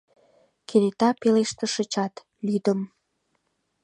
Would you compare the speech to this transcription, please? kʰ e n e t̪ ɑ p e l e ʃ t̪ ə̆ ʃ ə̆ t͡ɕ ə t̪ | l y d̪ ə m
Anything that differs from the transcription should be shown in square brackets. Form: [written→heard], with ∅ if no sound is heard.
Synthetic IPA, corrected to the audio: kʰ e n e t̪ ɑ p e l e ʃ t̪ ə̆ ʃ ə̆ t͡ɕ [ə→ɑ] t̪ | l y d̪ ə m